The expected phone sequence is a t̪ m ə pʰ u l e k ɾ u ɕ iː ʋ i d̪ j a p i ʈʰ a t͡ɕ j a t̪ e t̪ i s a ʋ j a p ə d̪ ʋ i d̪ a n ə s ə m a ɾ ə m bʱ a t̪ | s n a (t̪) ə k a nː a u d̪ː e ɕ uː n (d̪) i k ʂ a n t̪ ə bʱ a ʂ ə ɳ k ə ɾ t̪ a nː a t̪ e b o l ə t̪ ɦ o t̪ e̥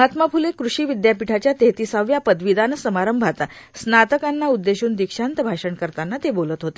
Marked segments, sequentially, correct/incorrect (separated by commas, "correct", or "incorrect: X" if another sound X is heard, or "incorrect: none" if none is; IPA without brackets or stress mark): correct, correct